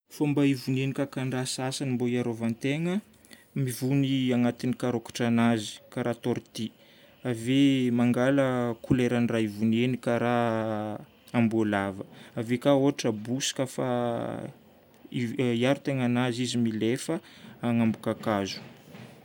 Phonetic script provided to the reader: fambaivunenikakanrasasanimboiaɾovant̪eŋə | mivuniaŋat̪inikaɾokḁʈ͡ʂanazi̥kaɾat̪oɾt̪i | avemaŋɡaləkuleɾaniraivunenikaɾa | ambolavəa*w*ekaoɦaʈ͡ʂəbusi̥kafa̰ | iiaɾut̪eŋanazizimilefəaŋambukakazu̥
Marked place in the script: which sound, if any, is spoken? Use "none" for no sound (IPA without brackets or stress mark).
v